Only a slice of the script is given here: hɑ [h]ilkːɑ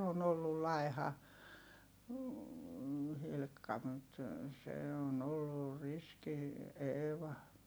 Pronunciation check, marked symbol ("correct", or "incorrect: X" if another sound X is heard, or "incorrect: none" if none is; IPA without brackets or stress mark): correct